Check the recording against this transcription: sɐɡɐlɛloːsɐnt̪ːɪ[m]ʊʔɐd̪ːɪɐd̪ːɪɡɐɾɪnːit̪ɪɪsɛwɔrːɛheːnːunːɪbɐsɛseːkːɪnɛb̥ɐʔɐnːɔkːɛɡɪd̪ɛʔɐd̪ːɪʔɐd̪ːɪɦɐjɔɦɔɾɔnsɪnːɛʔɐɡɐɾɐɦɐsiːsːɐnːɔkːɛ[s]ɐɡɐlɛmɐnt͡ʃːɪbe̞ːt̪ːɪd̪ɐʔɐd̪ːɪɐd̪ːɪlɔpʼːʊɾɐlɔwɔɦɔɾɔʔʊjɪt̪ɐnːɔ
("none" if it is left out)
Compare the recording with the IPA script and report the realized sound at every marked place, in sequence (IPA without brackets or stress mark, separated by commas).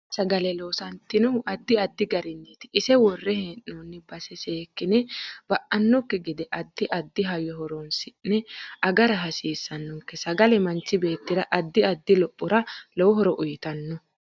n, s